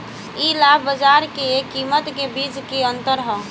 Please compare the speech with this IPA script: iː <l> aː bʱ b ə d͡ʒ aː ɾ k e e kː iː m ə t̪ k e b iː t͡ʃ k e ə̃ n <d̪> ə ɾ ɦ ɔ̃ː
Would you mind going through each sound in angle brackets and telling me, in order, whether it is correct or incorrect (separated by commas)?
correct, incorrect